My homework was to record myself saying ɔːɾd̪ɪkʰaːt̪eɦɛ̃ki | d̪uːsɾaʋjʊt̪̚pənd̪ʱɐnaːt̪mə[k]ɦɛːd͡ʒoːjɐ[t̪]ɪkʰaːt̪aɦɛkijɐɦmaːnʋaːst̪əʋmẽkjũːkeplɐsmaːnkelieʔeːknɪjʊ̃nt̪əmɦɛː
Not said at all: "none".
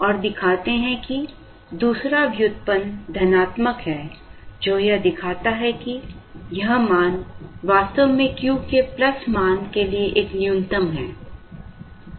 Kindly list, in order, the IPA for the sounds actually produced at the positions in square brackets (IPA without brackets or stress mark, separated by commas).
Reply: k, d̪